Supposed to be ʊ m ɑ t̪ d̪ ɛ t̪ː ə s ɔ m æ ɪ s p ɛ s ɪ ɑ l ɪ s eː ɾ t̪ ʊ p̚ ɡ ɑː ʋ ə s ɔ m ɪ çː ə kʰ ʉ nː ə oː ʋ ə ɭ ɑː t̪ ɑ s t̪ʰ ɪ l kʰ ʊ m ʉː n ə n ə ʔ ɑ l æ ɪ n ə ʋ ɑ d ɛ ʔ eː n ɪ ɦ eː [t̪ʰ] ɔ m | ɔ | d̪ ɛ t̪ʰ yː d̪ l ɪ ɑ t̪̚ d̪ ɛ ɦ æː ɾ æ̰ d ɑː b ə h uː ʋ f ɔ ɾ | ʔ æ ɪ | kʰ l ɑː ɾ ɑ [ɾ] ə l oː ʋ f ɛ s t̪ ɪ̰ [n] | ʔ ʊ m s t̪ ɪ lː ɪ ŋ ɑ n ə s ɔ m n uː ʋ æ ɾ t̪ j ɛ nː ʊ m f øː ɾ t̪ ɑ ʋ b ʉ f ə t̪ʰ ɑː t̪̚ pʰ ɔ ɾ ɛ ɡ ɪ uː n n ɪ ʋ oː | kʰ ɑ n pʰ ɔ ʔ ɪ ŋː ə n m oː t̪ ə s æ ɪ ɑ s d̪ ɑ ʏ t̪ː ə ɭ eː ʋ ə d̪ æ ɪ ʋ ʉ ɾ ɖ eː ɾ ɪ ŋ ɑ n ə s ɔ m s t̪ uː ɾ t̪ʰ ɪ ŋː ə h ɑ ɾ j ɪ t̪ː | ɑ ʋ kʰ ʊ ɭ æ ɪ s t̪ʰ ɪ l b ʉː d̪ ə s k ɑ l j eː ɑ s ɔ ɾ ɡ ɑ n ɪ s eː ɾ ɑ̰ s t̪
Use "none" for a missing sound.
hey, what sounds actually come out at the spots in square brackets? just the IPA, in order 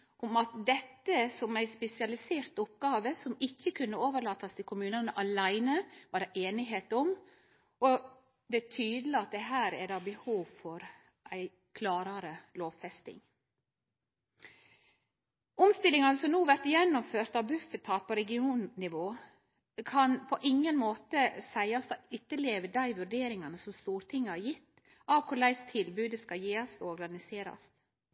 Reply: t̪, ɾ, ŋ

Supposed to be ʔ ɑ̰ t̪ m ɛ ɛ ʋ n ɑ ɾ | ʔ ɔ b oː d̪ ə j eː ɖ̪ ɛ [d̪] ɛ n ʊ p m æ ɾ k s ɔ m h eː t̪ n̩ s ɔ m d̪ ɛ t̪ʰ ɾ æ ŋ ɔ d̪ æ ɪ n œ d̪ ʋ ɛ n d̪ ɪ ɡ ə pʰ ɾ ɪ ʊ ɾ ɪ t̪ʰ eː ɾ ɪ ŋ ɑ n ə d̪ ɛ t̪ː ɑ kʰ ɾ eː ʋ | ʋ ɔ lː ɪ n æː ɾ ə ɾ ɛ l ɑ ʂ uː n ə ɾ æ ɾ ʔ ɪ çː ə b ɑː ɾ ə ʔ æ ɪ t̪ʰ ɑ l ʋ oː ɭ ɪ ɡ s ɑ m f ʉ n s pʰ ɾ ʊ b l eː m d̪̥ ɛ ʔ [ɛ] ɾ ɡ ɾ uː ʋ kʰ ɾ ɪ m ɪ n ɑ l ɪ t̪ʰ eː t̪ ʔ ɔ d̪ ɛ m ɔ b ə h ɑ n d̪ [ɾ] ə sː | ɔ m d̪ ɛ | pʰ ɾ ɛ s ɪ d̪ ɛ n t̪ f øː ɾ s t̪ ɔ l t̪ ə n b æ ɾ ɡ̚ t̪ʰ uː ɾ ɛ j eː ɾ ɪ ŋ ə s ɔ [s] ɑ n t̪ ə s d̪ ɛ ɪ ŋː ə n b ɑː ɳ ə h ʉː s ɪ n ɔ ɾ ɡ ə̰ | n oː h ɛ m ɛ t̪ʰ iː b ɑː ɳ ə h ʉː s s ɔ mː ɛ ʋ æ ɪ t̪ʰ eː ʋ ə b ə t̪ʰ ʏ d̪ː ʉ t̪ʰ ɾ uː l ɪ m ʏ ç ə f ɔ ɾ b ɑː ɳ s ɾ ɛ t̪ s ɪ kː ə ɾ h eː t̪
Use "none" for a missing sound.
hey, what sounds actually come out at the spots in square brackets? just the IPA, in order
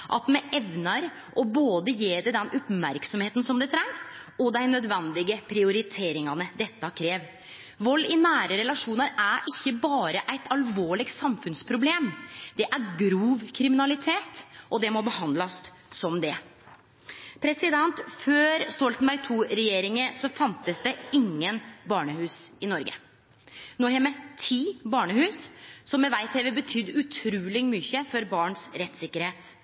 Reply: d̪, æ, l, f

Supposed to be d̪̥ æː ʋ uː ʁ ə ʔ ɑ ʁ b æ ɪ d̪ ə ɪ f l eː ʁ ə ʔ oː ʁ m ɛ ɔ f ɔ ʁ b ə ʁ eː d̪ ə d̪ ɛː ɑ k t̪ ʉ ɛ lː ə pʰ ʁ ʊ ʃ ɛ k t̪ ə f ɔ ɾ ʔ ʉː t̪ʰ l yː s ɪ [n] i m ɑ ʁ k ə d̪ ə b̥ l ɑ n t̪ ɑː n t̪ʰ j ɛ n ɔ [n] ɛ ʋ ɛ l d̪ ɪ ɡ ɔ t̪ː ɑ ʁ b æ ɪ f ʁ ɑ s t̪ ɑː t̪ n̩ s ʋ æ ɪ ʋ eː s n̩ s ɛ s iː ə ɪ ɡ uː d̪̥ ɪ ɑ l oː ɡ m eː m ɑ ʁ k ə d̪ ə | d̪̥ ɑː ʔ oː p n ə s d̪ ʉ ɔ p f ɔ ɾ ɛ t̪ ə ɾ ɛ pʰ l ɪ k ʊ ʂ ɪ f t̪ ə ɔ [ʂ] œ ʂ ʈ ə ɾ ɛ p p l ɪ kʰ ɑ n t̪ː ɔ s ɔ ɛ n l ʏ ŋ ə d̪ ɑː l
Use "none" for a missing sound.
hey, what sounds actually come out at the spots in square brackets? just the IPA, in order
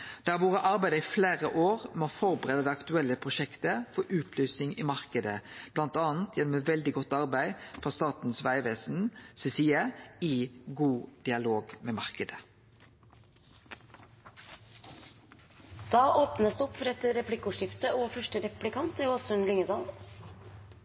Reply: ŋ, m, f

